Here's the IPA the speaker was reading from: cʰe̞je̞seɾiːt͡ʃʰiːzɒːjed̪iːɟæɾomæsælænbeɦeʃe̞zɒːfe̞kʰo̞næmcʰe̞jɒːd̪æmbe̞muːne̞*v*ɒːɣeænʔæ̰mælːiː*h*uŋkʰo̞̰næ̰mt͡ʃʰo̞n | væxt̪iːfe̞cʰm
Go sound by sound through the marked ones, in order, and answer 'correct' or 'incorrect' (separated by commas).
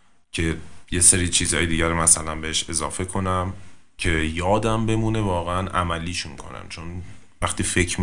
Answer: correct, incorrect